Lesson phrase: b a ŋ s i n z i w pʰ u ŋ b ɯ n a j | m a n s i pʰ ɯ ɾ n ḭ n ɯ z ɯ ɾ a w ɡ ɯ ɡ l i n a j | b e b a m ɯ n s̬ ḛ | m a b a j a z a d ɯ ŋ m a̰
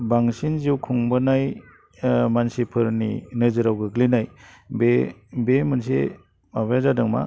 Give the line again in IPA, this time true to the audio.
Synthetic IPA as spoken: b a ŋ s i n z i w kʰ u ŋ b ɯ n a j | m a n s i pʰ ɯ ɾ n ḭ n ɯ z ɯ ɾ a w ɡ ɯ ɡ l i n a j | b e b e m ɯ n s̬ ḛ | m a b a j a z a d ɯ ŋ m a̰